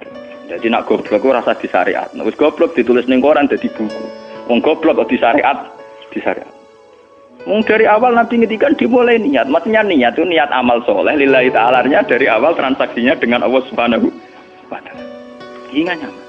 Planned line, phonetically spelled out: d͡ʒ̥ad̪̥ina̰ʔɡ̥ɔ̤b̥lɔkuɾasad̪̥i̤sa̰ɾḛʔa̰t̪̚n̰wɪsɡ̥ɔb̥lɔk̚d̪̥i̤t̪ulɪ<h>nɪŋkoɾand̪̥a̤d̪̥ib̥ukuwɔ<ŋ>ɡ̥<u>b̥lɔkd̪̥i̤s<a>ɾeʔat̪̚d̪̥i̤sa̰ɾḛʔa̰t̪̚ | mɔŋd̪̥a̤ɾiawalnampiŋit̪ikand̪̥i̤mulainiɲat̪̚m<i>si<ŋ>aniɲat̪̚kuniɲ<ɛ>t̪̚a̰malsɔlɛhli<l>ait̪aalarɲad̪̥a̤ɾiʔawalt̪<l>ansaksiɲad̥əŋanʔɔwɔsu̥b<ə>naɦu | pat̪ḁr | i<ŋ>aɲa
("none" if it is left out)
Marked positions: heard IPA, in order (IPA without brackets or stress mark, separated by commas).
s, ŋ, ɔ, a, a, ɲ, a, l, ɾ, a, ŋ